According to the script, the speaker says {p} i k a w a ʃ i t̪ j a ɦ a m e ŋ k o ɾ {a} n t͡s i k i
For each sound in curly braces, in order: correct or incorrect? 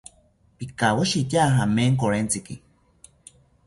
correct, incorrect

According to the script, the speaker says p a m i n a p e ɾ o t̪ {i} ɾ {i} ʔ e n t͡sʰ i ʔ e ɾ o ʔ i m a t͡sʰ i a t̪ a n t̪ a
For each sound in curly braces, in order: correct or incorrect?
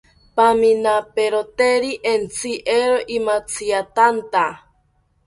incorrect, correct

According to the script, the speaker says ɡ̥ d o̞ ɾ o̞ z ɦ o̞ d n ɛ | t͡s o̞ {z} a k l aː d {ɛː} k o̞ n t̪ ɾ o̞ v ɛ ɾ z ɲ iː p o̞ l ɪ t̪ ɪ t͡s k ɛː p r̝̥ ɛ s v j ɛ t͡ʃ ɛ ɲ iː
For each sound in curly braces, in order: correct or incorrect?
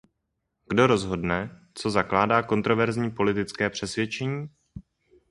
correct, incorrect

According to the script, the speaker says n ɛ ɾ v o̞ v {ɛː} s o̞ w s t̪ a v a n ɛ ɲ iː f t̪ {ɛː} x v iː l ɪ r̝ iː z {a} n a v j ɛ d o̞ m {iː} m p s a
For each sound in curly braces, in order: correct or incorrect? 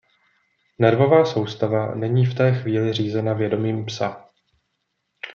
incorrect, correct, incorrect, correct

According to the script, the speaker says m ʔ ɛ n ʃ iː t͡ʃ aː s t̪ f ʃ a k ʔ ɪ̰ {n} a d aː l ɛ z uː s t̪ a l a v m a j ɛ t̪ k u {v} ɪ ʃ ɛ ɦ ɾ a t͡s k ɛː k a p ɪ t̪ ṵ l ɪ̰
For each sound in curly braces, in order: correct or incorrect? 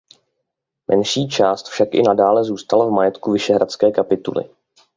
correct, correct

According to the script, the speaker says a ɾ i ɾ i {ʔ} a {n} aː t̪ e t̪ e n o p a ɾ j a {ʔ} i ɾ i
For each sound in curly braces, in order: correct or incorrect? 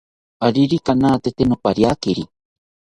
incorrect, correct, incorrect

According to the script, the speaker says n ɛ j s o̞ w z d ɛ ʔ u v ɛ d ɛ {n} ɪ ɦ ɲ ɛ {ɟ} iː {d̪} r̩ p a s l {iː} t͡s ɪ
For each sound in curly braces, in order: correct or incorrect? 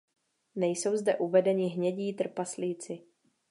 incorrect, correct, incorrect, correct

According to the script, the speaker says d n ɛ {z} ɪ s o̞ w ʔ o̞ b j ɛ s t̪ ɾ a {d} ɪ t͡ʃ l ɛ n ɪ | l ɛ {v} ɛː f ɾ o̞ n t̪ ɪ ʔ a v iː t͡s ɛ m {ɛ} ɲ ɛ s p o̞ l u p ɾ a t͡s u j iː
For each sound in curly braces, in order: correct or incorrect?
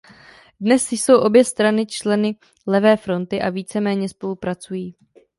incorrect, incorrect, correct, incorrect

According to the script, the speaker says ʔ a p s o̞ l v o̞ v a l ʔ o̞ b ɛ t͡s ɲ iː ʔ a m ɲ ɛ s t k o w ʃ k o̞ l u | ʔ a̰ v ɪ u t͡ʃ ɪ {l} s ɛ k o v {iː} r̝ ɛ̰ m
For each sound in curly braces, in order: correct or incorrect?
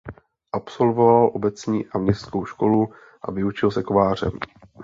correct, incorrect

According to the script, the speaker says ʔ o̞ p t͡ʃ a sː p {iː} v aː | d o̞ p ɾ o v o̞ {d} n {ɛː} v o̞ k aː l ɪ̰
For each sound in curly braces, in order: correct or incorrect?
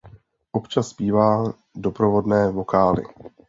correct, correct, correct

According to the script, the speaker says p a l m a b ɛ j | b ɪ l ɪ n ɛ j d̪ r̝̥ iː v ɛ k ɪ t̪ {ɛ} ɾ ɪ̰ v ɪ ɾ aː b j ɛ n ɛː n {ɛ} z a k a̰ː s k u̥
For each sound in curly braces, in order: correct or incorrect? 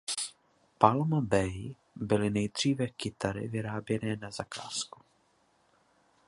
incorrect, incorrect

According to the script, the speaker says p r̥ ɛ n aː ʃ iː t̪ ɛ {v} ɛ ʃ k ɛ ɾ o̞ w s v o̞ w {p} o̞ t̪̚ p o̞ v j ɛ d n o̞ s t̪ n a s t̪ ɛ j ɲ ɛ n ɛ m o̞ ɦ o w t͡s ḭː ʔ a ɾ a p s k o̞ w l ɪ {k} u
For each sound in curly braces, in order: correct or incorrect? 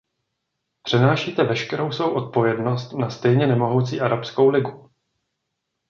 correct, incorrect, incorrect

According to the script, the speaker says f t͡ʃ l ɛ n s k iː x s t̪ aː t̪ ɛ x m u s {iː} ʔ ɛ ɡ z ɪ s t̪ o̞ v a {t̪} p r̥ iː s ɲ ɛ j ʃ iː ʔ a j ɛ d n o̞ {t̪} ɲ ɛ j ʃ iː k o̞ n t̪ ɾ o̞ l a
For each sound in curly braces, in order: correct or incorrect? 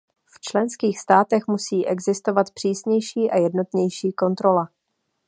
correct, correct, correct

